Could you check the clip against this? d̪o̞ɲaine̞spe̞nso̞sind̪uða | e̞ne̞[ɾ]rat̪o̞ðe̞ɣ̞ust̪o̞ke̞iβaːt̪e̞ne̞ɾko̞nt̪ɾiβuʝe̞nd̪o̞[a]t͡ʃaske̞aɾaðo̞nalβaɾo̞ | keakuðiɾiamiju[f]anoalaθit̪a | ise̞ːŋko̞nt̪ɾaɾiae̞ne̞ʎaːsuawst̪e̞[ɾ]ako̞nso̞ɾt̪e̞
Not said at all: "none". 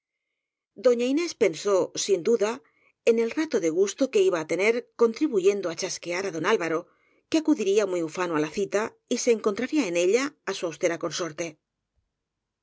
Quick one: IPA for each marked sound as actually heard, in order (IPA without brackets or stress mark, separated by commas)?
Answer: l, a, f, ɾ